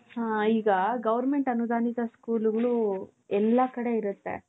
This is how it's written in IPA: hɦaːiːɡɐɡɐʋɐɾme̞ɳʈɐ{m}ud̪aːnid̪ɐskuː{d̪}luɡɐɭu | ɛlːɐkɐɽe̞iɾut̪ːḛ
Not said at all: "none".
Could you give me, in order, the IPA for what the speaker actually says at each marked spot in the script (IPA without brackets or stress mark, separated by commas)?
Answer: n, none